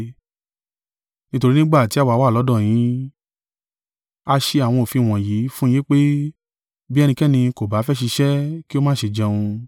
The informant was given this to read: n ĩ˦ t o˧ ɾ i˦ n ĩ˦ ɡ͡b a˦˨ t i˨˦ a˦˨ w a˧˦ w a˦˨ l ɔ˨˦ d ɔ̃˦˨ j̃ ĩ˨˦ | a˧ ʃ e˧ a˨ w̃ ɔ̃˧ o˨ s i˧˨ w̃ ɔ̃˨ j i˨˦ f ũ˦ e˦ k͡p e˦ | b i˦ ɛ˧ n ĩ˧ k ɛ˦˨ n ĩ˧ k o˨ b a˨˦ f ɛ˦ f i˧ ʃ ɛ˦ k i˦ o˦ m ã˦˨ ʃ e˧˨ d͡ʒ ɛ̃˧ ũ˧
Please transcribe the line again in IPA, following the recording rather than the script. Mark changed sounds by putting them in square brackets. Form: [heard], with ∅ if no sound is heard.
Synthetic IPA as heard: n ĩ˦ t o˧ ɾ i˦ n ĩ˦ ɡ͡b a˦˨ t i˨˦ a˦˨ w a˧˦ w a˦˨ l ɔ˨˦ d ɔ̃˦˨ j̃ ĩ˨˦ | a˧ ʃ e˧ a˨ w̃ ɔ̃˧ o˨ [f] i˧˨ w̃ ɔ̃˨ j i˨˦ f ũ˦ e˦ k͡p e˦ | b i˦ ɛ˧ n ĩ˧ k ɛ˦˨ n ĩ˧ k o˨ b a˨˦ f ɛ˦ [ʃ] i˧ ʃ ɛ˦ k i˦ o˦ m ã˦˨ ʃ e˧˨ d͡ʒ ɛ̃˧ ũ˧

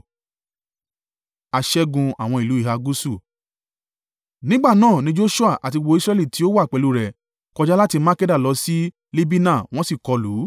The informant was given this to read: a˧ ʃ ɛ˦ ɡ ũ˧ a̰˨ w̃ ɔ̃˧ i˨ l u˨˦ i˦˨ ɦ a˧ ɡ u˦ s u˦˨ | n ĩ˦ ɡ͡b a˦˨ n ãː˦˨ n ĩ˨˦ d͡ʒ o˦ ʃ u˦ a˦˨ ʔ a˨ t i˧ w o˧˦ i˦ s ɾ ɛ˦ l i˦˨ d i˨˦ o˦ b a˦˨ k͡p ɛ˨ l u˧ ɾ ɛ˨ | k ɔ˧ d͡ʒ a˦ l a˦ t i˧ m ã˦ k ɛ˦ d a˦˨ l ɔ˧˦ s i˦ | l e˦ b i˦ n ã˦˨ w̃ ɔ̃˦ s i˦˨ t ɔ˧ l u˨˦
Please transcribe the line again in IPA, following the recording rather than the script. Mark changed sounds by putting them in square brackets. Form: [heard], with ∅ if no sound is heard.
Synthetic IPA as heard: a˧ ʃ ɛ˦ ɡ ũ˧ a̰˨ w̃ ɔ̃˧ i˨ l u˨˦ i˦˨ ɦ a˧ ɡ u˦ s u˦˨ | n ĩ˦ ɡ͡b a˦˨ n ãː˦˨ n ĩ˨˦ d͡ʒ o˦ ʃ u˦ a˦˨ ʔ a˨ t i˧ w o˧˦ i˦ s ɾ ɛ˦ l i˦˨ [t] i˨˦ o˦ [w] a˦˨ k͡p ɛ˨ l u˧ ɾ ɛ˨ | k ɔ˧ d͡ʒ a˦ l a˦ t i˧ m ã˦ k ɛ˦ d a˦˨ l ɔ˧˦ s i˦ | l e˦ b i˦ n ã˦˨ w̃ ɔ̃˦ s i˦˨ [k] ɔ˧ l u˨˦

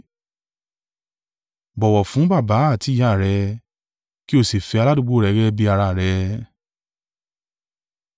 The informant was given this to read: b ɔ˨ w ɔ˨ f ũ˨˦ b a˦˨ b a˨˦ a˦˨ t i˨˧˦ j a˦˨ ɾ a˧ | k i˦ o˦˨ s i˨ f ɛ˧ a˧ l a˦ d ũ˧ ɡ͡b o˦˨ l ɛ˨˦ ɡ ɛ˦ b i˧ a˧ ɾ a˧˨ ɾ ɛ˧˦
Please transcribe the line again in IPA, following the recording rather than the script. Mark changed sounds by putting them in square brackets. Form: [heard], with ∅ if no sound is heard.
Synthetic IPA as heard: b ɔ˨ w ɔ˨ f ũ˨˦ b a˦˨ b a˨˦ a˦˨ t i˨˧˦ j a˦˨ ɾ [ɛ˧] | k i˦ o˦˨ s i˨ f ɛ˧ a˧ l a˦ d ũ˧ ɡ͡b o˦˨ [ɾ] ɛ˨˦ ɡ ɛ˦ b i˧ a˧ ɾ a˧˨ ɾ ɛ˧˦

